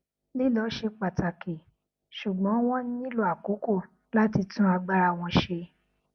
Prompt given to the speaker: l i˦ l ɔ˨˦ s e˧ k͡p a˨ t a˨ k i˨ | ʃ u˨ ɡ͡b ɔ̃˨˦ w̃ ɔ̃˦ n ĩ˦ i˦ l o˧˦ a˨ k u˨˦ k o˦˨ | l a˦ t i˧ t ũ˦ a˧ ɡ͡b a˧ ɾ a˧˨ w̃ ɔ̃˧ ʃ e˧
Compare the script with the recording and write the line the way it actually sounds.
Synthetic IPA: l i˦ l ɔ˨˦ ʃ e˧ k͡p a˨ t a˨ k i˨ | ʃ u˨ ɡ͡b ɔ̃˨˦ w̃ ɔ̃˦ n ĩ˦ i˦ l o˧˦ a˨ k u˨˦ k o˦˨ | l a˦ t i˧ t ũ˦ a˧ ɡ͡b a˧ ɾ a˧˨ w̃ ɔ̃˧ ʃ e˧